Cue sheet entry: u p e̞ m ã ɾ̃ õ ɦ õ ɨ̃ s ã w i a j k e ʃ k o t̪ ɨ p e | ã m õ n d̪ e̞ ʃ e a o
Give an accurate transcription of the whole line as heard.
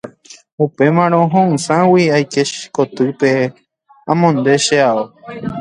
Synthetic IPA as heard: u p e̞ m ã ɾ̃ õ ɦ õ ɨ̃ s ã w i a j k e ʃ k o t̪ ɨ p e | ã m õ n d̪ e̞ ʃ e a o